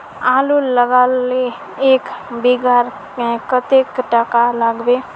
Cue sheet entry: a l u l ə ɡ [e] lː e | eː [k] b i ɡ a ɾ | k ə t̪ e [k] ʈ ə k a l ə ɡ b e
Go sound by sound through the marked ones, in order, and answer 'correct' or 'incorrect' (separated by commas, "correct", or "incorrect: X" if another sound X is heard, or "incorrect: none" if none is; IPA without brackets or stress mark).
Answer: incorrect: a, correct, correct